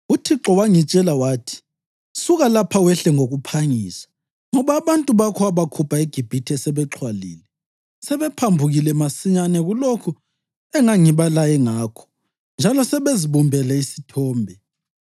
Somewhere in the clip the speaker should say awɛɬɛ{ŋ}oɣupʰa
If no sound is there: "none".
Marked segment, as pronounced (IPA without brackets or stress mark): ŋ